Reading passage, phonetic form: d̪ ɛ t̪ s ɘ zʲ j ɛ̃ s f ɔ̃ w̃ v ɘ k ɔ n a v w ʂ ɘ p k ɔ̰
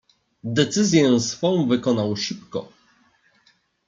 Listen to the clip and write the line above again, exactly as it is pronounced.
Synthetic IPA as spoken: d̪ ɛ t̪ s ɘ zʲ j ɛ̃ s f ɔ̃ w̃ v ɘ k ɔ n a w ʂ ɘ p k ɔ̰